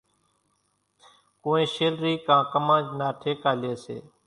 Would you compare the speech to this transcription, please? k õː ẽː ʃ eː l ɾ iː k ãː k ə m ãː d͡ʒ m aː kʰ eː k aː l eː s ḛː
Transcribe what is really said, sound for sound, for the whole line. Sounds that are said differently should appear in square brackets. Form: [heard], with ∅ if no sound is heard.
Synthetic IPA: k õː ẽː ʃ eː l ɾ iː k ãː k ə m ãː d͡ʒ [n] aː [ʈʰ] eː k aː l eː s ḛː